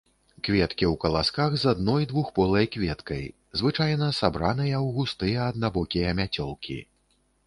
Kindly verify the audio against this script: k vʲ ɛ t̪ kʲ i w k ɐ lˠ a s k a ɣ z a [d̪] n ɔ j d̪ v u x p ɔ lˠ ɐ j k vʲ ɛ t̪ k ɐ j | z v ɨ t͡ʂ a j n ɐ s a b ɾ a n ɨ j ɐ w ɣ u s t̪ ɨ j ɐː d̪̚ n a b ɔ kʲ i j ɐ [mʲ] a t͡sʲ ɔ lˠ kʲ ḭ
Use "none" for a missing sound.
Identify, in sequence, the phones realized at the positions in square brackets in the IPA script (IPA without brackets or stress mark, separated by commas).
d̪, mʲ